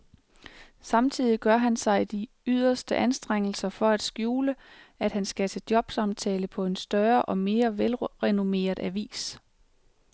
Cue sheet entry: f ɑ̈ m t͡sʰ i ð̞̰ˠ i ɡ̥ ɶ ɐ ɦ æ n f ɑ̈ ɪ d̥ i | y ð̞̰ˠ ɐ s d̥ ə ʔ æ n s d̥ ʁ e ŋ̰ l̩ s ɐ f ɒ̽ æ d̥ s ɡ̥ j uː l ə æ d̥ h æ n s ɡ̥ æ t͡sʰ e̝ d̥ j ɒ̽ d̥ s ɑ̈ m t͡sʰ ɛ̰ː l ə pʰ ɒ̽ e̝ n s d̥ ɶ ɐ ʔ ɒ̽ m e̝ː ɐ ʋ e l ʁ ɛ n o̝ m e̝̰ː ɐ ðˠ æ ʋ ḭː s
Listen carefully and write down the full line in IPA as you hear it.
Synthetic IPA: s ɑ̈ m t͡sʰ i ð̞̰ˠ i ɡ̥ ɶ ɐ ɦ æ n s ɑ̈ ɪ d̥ i | y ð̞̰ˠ ɐ s d̥ ə ʔ æ n s d̥ ʁ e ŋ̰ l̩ s ɐ f ɒ̽ æ d̥ s ɡ̥ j uː l ə æ d̥ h æ n s ɡ̥ æ t͡sʰ e̝ d̥ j ɒ̽ b̥ s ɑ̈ m t͡sʰ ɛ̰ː l ə pʰ ɒ̽ e̝ n s d̥ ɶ ɐ ʔ ɒ̽ m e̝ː ɐ ʋ e l ʁ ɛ n o̝ m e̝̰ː ɐ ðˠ æ ʋ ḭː s